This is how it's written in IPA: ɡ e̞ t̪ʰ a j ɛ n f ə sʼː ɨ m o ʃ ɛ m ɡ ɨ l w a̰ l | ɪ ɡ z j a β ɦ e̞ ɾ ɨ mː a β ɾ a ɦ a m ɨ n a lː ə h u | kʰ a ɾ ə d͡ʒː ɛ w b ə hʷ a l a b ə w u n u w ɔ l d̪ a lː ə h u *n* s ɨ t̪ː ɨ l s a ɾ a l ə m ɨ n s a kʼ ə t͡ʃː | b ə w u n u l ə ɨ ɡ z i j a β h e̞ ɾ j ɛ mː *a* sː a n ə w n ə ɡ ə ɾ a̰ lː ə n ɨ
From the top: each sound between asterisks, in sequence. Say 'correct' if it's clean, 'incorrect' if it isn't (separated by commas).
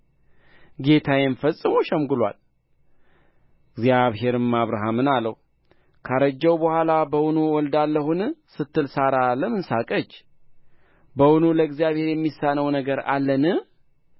correct, incorrect